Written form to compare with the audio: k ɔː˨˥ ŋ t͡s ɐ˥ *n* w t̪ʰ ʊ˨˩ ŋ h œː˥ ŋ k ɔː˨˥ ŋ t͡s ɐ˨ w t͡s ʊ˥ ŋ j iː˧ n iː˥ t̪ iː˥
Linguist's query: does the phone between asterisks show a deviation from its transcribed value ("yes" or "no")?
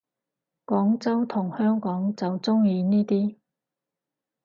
yes